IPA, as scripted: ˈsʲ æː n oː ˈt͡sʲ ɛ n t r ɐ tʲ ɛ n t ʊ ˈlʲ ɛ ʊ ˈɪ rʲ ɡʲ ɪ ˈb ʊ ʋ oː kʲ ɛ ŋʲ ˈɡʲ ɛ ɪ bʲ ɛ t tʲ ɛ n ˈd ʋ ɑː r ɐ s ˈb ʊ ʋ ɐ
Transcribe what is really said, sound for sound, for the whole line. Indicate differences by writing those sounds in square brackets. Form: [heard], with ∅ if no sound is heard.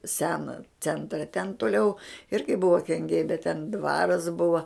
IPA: ˈsʲ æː n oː ˈt͡sʲ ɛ n t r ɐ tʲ ɛ n t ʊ ˈlʲ ɛ ʊ ˈɪ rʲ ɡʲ ɪ ˈb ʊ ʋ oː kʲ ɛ ŋʲ ˈɡʲ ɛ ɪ bʲ ɛ t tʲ ɛ n ˈd ʋ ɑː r ɐ s ˈb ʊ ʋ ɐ